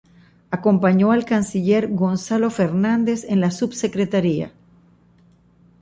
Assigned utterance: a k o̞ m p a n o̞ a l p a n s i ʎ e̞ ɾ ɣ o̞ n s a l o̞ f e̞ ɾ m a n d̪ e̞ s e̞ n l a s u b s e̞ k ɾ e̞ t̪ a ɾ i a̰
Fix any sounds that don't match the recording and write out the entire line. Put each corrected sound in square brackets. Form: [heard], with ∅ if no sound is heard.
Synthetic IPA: a k o̞ m p a [ɲ] o̞ a l [k] a n s i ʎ e̞ ɾ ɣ o̞ n s a l o̞ f e̞ ɾ [n] a n d̪ e̞ s e̞ n l a s u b s e̞ k ɾ e̞ t̪ a ɾ i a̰